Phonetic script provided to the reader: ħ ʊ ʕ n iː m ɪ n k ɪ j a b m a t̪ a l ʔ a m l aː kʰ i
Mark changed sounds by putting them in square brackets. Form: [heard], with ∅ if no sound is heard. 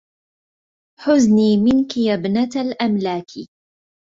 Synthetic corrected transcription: ħ ʊ [z] n iː m ɪ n k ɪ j a b [n] a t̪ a l ʔ a m l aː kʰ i

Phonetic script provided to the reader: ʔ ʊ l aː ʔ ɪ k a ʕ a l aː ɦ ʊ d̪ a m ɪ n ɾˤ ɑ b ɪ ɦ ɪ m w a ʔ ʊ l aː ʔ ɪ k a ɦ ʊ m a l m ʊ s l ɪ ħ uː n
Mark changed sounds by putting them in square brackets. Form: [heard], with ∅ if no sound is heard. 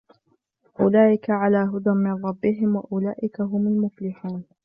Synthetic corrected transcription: ʔ ʊ l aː ʔ ɪ k a ʕ a l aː ɦ ʊ d̪ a m ɪ n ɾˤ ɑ [bː] ɪ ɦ ɪ m w a ʔ ʊ l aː ʔ ɪ k a ɦ ʊ m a l m ʊ [f] l ɪ ħ uː n

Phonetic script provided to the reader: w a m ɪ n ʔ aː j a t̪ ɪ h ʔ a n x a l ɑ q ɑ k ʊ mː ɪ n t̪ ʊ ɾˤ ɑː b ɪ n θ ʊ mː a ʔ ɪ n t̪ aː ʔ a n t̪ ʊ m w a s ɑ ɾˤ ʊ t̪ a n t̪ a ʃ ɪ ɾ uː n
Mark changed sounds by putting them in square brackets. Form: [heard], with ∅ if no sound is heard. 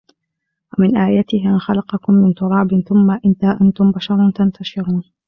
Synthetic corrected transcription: w a m ɪ n ʔ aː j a t̪ ɪ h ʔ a n x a l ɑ q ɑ k ʊ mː ɪ n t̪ ʊ ɾˤ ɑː b ɪ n θ ʊ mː a ʔ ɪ n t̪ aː ʔ a n t̪ ʊ m [b] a [ʃ] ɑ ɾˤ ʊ t̪ a n t̪ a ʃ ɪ ɾ uː n

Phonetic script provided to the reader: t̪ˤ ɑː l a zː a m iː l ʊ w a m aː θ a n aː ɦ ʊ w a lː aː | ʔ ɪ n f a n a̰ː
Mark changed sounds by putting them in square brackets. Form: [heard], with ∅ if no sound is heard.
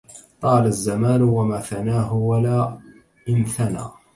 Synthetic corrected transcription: t̪ˤ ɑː l a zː a m [aː] l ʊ w a m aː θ a n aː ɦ ʊ w a [l] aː | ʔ ɪ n [θ] a n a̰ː

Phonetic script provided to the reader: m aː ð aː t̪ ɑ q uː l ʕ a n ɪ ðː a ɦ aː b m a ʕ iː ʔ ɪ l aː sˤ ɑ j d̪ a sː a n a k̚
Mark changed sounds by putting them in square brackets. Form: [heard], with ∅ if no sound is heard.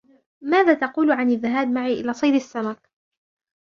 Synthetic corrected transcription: m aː ð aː t̪ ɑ q uː l ʕ a n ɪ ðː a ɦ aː b m a ʕ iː ʔ ɪ l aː sˤ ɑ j d̪ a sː a [m] a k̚

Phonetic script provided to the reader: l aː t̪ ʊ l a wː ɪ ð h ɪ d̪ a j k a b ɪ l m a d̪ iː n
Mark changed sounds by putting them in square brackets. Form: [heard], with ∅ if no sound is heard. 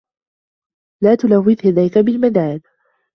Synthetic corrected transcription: l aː t̪ ʊ l a wː ɪ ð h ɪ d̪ a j k a b ɪ l m a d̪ [aː] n

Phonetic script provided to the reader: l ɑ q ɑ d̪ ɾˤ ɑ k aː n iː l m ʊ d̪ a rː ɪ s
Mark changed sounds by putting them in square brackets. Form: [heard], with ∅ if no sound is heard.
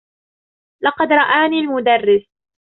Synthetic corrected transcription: l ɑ q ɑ d̪ ɾˤ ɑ [ʔ] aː n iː l m ʊ d̪ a rː ɪ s

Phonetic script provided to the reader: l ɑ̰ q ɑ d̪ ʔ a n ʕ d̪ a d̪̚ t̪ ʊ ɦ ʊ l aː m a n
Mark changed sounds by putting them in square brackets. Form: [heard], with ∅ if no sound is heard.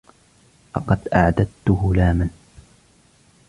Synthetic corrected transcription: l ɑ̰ q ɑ d̪ ʔ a [∅] ʕ d̪ a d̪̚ t̪ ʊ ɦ ʊ l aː m a n

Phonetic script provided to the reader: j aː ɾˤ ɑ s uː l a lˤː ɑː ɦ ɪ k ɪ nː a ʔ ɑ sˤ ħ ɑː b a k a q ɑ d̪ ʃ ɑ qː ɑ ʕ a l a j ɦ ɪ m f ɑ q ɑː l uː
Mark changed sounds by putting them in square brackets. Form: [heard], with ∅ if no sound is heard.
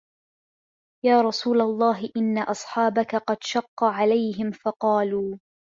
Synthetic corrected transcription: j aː ɾˤ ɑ s uː l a lˤː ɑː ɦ ɪ [ʔ] ɪ nː a ʔ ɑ sˤ ħ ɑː b a k a q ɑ d̪ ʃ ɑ qː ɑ ʕ a l a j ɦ ɪ m f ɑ q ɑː l uː

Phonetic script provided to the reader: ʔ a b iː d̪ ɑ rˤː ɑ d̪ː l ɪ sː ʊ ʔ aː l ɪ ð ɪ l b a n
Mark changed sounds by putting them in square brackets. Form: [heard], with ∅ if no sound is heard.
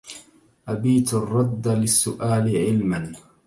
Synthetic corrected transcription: ʔ a b iː [t̪] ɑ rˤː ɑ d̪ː l ɪ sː ʊ ʔ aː l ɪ [ʕ] ɪ l [m] a n

